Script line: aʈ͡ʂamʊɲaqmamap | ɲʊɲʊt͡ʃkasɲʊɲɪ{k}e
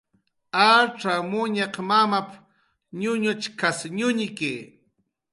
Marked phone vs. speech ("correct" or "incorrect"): correct